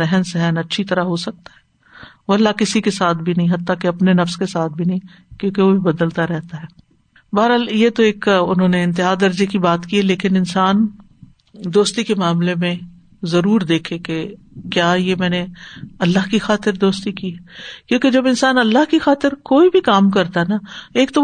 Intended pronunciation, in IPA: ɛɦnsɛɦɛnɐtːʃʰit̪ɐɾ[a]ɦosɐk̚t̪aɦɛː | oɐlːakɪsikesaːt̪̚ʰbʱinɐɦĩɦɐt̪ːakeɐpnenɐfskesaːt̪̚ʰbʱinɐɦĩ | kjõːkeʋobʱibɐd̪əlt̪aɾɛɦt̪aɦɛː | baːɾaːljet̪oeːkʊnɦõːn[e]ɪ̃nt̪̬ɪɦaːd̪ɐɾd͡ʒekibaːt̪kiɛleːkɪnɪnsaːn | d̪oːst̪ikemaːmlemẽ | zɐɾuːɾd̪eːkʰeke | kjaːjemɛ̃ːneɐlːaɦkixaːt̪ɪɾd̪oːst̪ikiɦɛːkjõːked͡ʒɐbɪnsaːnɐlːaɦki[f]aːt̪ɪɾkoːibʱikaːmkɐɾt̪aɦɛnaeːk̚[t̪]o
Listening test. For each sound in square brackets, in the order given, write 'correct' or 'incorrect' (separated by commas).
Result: correct, correct, incorrect, correct